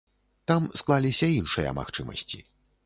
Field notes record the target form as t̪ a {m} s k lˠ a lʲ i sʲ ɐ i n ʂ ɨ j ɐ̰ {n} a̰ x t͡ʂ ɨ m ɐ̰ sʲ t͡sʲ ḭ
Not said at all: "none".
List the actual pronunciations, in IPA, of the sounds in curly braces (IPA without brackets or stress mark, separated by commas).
m, m